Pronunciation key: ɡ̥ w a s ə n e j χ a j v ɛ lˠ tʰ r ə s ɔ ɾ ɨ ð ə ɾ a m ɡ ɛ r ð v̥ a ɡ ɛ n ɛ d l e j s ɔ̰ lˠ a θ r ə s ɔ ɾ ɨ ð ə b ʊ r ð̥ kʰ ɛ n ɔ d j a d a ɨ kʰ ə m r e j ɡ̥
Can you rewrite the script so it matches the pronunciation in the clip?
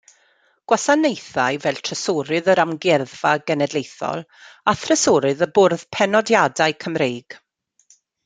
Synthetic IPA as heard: ɡ̥ w a s a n e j θ a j v ɛ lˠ tʰ r ə s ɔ ɾ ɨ ð ə ɾ a m ɡ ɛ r ð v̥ a ɡ ɛ n ɛ d l e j θ ɔ̰ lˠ a θ r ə s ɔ ɾ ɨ ð ə b ʊ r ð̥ pʰ ɛ n ɔ d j a d a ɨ kʰ ə m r e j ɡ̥